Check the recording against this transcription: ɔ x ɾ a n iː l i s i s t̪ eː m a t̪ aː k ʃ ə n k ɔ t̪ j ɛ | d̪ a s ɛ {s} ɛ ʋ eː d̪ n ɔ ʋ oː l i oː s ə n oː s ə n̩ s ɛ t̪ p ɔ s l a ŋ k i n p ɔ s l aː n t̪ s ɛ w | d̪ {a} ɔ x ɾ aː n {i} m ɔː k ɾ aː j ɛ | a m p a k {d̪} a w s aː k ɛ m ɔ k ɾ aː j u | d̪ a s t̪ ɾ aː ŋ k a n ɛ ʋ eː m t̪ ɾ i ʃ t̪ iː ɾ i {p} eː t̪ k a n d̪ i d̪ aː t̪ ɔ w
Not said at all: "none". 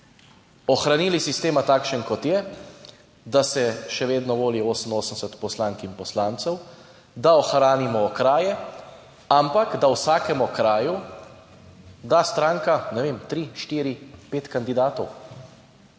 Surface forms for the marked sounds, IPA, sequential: ʃ, a, i, d̪, p

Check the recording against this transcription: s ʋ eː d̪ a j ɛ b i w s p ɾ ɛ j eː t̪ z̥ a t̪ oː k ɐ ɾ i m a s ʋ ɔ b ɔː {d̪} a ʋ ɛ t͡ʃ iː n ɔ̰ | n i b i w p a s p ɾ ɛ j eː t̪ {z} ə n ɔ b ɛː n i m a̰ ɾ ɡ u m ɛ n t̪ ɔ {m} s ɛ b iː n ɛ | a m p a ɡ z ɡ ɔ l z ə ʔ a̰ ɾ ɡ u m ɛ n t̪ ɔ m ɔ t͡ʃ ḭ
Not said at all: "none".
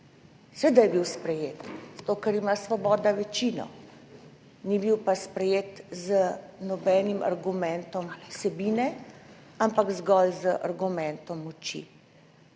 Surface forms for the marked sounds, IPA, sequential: d̪, z, m

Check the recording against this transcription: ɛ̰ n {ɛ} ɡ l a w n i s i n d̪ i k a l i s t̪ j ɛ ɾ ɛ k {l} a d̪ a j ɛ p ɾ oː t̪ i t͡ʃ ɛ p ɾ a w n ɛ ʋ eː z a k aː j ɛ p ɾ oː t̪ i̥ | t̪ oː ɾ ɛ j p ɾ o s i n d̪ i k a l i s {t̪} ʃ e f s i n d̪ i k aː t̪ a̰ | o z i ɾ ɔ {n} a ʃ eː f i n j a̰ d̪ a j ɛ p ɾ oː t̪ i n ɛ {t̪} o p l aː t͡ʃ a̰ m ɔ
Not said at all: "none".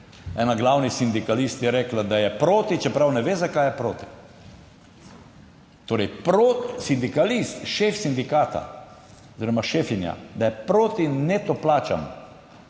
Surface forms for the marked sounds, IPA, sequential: a, l, t̪, m, t̪

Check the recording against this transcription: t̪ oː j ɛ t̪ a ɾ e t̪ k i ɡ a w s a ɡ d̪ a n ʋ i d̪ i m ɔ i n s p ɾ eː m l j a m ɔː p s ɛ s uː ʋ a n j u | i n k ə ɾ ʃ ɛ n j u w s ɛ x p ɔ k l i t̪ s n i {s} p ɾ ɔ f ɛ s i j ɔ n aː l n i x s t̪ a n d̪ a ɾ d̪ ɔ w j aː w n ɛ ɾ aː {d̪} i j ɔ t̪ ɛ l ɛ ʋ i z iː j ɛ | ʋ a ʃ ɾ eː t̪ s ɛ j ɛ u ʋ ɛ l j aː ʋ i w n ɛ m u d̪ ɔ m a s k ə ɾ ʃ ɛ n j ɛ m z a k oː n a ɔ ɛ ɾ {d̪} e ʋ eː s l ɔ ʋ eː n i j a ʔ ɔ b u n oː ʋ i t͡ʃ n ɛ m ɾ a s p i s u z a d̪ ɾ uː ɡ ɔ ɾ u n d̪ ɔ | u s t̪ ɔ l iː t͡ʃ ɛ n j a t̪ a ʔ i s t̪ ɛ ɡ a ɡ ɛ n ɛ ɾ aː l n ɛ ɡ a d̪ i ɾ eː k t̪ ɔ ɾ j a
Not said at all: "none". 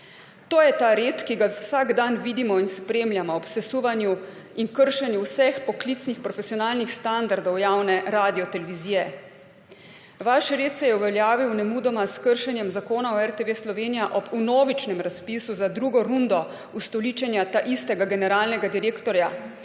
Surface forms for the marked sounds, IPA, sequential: x, d̪, t̪

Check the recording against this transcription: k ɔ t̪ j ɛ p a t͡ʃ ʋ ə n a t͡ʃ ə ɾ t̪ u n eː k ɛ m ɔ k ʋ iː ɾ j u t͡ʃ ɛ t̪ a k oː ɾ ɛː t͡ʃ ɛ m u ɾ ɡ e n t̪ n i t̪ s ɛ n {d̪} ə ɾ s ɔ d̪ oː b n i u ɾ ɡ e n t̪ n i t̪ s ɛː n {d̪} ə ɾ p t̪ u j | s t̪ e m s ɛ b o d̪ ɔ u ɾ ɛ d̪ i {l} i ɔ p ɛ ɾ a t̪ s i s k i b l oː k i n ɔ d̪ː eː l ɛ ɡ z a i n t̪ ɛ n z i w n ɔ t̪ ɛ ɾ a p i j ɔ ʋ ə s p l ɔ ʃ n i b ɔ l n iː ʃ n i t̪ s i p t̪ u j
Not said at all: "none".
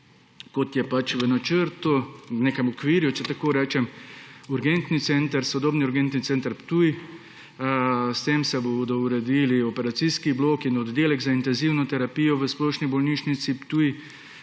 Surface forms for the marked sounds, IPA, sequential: t̪, t̪, l

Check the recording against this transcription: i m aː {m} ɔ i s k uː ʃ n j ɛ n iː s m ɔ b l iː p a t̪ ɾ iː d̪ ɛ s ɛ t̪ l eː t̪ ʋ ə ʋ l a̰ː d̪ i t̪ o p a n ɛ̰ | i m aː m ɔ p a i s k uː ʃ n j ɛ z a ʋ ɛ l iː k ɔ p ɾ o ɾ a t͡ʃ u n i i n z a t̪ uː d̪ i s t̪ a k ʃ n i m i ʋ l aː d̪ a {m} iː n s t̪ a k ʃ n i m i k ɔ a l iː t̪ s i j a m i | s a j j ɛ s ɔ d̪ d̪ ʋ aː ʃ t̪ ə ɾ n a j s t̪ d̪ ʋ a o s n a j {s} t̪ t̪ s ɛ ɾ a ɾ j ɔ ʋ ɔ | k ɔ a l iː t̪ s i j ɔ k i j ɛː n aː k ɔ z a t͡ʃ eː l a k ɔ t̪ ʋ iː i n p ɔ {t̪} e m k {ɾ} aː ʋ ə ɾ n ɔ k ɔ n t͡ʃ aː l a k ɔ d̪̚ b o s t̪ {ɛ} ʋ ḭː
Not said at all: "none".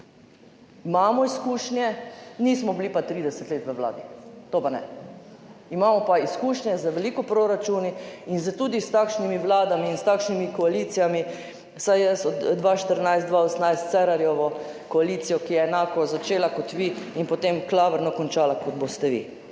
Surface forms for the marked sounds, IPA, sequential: m, m, s, t̪, l, ɛ

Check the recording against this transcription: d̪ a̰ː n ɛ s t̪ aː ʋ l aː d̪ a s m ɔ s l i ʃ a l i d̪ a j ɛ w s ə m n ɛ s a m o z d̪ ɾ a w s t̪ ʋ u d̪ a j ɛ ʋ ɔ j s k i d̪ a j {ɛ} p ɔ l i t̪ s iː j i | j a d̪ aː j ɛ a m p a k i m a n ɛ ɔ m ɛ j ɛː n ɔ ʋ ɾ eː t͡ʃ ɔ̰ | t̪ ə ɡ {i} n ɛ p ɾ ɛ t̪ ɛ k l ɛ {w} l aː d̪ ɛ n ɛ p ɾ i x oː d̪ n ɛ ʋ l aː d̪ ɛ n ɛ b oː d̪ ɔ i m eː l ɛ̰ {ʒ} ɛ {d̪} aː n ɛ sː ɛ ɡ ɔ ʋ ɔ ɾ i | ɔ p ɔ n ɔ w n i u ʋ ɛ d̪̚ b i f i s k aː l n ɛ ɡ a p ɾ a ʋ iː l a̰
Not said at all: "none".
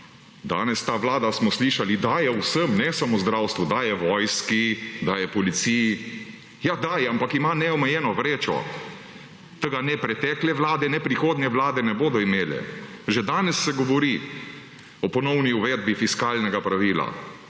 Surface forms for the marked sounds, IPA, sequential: ɛ, a, ʋ, ʒ, d̪

